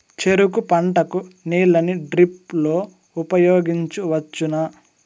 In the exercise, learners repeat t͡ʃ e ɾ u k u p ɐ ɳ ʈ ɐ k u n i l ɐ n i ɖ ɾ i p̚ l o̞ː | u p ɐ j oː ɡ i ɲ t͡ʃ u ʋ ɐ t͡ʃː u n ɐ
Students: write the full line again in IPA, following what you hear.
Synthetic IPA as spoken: t͡ʃ e ɾ u k u p ɐ ɳ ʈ ɐ k u n iː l ɐ n i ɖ ɾ i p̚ l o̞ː | u p ɐ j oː ɡ i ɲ t͡ʃ u ʋ ɐ t͡ʃː u n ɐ